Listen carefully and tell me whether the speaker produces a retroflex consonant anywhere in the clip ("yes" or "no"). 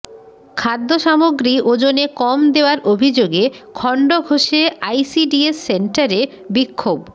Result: yes